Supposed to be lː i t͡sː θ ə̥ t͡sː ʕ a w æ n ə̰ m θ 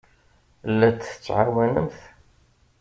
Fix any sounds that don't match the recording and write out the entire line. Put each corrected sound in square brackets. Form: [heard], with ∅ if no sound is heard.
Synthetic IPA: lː [æ] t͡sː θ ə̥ t͡sː ʕ a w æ n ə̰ m θ